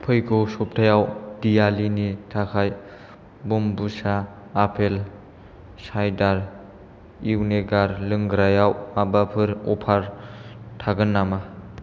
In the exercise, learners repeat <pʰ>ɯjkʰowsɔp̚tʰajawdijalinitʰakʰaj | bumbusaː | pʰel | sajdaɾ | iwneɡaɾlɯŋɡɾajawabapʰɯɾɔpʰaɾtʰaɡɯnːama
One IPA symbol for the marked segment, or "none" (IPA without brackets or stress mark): pʰ